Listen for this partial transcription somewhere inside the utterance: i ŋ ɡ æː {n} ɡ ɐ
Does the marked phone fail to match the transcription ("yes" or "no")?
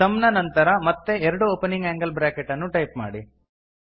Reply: yes